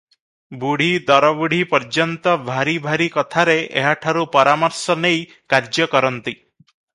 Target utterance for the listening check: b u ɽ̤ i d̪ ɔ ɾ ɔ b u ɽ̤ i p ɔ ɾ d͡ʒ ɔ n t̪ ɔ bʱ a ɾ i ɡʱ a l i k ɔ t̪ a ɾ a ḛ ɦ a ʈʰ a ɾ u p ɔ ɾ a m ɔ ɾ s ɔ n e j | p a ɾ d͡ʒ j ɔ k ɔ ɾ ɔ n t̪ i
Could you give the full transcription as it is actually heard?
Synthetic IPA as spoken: b u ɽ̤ i d̪ ɔ ɾ ɔ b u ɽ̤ i p ɔ ɾ d͡ʒ ɔ n t̪ ɔ bʱ a ɾ i bʱ a ɾ i k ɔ t̪ʰ a ɾ e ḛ ɦ a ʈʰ a ɾ u p ɔ ɾ a m ɔ ɾ s ɔ n e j | k a ɾ d͡ʒ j ɔ k ɔ ɾ ɔ n t̪ i

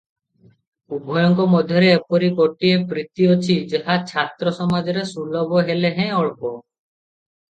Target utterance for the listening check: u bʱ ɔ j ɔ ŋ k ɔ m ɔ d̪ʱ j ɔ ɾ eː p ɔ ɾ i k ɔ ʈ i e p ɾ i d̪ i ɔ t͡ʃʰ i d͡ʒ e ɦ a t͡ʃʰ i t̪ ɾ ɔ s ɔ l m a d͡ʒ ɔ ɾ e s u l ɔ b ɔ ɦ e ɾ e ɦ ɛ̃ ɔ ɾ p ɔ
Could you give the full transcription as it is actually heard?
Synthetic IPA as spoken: u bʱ ɔ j ɔ ŋ k ɔ m ɔ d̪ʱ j ɔ ɾ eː p ɔ ɾ i k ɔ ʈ i e p ɾ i t̪ i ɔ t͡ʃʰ i d͡ʒ e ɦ a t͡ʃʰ a t̪ ɾ ɔ s ɔ m a d͡ʒ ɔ ɾ e s u l ɔ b ɔ ɦ e l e ɦ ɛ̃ ɔ ɭ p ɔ

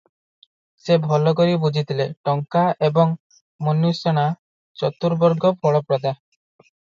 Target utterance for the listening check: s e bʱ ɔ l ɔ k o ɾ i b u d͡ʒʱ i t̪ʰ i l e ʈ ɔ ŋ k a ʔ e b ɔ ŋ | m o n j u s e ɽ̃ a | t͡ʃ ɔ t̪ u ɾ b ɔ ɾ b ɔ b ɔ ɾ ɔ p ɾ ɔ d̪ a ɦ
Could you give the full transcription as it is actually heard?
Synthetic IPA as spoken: s e bʱ ɔ l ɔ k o ɾ i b u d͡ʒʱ i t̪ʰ i l e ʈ ɔ ŋ k a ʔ e b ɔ ŋ | m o n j u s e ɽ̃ a | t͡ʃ ɔ t̪ u ɾ b ɔ ɾ ɡ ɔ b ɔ ɭ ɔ p ɾ ɔ d̪ a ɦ

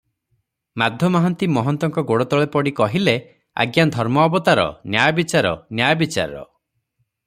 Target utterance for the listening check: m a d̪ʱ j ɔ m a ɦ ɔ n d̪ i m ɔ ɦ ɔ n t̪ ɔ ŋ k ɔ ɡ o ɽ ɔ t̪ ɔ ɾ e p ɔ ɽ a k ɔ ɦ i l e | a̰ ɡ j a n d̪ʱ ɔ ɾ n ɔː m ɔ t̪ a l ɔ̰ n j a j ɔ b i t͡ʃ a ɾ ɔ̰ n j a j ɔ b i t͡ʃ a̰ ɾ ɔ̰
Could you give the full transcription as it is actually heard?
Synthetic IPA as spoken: m a d̪ʱ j ɔ m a ɦ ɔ n t̪ i m ɔ ɦ ɔ n t̪ ɔ ŋ k ɔ ɡ o ɽ ɔ t̪ ɔ ɭ e p ɔ ɽ i k ɔ ɦ i l e | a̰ ɡ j a n d̪ʱ ɔ ɾ m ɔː b ɔ t̪ a ɾ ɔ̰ n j a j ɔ b i t͡ʃ a ɾ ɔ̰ n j a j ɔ b i t͡ʃ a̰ ɾ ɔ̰

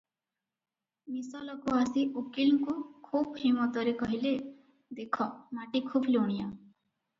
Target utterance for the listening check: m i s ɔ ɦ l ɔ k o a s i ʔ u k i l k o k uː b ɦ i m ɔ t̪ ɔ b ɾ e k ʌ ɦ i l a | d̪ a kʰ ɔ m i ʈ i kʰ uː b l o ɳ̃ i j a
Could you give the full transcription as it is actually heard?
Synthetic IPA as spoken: m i s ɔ l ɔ k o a s i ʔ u k i l k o kʰ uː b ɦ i m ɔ t̪ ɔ ɾ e k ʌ ɦ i l e | d̪ e kʰ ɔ m a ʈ i kʰ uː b l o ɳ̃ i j a

